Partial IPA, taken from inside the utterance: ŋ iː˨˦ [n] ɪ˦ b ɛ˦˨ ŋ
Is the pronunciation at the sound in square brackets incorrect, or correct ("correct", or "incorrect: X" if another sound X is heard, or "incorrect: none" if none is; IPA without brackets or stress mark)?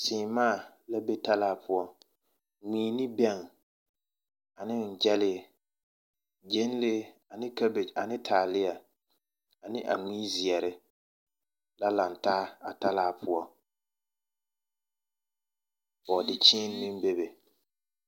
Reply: correct